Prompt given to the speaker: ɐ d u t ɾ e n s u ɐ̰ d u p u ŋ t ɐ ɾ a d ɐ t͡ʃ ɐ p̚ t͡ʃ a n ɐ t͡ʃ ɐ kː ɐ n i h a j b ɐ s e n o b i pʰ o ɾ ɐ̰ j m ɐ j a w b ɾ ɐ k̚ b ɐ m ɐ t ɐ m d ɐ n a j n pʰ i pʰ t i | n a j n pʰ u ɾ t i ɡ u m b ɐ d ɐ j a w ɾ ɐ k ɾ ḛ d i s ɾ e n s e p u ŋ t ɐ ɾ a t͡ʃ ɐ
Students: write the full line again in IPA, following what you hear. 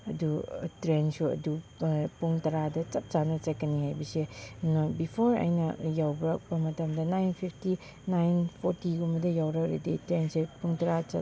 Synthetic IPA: ɐ d u t ɾ e n s u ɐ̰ d u p u ŋ t ɐ ɾ a d ɐ t͡ʃ ɐ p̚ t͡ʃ a n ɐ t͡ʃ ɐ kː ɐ n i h a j b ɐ s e n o b i pʰ o ɾ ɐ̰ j n ɐ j a w b ɾ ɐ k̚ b ɐ m ɐ t ɐ m d ɐ n a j n pʰ i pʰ t i | n a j n pʰ o ɾ t i ɡ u m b ɐ d ɐ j a w ɾ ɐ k ɾ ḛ d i t ɾ e n s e p u ŋ t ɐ ɾ a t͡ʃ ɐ

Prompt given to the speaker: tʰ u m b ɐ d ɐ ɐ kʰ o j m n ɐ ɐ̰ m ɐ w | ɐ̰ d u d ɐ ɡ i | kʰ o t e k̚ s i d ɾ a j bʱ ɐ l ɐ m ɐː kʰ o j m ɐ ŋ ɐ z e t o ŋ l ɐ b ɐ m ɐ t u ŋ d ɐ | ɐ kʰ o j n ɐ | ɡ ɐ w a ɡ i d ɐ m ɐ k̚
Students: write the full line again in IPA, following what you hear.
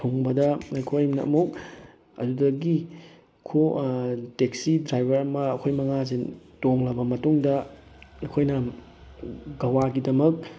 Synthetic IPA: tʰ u ŋ b ɐ d ɐ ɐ kʰ o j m n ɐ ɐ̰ m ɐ w | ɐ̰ d u d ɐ ɡ i | kʰ o t e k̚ s i d ɾ a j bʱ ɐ ɾ ɐ m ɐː kʰ o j m ɐ ŋ a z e t o ŋ l ɐ b ɐ m ɐ t u ŋ d ɐ | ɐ kʰ o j n ɐ | ɡ ɐ w a ɡ i d ɐ m ɐ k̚

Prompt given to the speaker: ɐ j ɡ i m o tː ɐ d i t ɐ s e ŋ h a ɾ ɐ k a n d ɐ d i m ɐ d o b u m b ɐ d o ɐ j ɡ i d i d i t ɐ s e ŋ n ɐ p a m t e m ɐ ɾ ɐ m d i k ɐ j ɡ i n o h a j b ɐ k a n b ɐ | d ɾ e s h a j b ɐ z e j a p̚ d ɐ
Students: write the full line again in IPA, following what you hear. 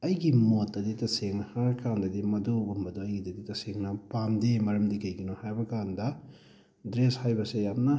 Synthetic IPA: ɐ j ɡ i m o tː ɐ d i t ɐ s e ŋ h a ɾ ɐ k a n d ɐ d i m ɐ d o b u m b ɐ d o ɐ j ɡ i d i d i t ɐ s e ŋ n ɐ p a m d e m ɐ ɾ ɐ m d i k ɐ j ɡ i n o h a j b ɐ k a n d ɐ | d ɾ e s h a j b ɐ s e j a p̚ n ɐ

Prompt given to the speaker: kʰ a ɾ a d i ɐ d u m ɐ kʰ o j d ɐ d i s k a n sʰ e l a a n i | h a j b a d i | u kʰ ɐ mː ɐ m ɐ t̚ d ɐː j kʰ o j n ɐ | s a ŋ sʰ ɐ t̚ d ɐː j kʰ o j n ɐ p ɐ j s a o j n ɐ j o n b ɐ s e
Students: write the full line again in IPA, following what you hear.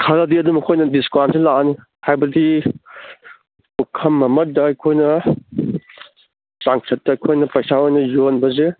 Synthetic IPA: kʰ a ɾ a d i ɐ d u m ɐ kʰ o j n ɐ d i s k a n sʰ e l a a n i | h a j b ɐ d i | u kʰ ɐ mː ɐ m ɐ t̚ d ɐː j kʰ o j n ɐ | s a ŋ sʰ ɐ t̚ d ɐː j kʰ o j n ɐ p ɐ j s a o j n ɐ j o n b ɐ z e

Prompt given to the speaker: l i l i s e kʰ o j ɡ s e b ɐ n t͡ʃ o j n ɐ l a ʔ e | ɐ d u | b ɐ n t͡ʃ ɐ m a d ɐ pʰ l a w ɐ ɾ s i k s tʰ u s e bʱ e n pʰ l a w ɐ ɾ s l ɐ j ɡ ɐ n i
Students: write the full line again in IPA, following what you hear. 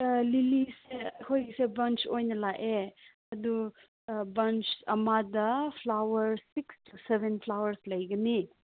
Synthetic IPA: l i l i s e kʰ o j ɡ s e b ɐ n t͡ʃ o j n ɐ l a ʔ e | ɐ d u | b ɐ n t͡ʃ ɐ m a d ɐ pʰ l a w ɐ ɾ s i k s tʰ u s e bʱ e n pʰ l a w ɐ ɾ s l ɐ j ɡ ɐ n i

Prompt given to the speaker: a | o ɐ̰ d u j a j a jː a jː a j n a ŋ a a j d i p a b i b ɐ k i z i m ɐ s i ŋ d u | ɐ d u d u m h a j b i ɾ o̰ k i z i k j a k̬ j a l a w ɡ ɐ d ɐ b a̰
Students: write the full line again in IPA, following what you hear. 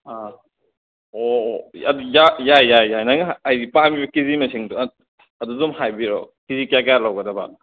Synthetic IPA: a | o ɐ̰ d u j a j a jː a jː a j n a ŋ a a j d i p a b i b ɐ k i z i m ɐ s i ŋ d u | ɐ d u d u m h a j b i ɾ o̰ k i z i k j a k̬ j a l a w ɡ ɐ d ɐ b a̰

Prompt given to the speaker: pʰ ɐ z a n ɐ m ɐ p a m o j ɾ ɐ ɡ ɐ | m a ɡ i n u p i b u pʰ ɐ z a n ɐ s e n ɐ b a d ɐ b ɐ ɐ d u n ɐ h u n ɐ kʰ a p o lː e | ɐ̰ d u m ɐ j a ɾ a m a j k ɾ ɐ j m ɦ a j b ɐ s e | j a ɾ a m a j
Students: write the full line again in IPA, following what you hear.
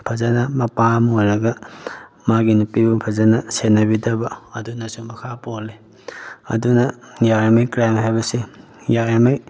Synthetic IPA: pʰ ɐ z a n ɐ m ɐ p a m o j ɾ ɐ ɡ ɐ | m a ɡ i n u p i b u pʰ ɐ z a n ɐ s e n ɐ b i d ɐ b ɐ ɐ d u n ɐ s u m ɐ kʰ a p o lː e | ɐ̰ d u n ɐ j a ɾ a m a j k ɾ a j m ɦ a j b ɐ s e | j a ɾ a m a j

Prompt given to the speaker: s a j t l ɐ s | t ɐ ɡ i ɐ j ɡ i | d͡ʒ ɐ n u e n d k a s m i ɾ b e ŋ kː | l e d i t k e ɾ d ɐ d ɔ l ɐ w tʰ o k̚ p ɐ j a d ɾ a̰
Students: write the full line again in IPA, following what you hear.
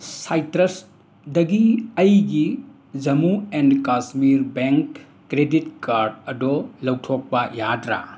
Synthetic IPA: s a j t ɾ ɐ s | d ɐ ɡ i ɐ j ɡ i | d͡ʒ ɐ m u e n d k a s m i ɾ b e ŋ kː | ɾ e d i t k a ɾ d ɐ d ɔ l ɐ w tʰ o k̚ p ɐ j a d ɾ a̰

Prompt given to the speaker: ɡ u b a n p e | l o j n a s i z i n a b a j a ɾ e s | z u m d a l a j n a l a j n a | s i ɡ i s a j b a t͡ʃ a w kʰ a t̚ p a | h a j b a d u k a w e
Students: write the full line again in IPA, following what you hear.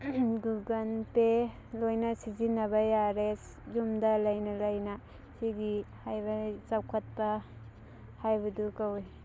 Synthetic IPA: ɡ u ɡ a n p e | l o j n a s i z i n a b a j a ɾ e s | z u m d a l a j n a l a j n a | s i ɡ i h a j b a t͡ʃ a w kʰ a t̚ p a | h a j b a d u k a w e

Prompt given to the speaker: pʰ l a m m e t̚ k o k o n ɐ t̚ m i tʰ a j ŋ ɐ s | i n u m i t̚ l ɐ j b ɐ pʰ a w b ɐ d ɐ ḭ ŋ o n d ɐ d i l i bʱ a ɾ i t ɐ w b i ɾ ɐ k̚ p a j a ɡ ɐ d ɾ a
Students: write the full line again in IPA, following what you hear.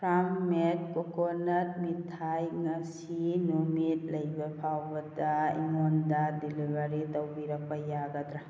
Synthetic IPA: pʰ ɾ a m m e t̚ k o k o n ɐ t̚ m i tʰ a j ŋ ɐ s | i n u m i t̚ l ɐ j b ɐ pʰ a w b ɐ d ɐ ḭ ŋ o n d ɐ d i l i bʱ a ɾ i t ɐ w b i ɾ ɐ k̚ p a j a ɡ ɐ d ɾ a

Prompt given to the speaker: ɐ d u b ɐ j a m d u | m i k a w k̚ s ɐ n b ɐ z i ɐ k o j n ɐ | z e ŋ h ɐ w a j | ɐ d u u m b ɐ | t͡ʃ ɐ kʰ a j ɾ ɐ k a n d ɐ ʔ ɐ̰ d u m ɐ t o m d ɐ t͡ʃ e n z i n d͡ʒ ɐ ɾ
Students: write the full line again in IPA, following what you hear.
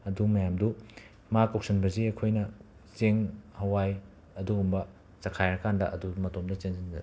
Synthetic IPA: ɐ d u m ɐ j a m d u | m a k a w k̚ s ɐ n b ɐ z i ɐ kʰ o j n ɐ | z e ŋ h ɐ w a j | ɐ d u u m b ɐ | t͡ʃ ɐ kʰ a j ɾ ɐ k a n d ɐ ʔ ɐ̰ d u m ɐ t o m d ɐ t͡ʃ e n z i n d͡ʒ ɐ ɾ

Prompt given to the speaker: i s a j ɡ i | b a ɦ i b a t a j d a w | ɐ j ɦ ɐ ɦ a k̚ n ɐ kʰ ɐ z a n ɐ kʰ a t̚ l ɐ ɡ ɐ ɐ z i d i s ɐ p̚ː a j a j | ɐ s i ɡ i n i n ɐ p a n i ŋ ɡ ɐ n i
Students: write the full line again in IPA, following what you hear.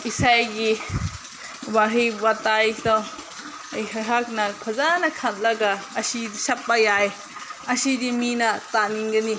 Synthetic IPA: i s a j ɡ i | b a ɦ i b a t a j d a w | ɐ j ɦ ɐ ɦ a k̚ n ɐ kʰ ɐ z a n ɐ kʰ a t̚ l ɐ ɡ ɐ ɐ s i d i s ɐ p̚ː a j a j | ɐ s i d i m i n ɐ t a n i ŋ ɡ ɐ n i

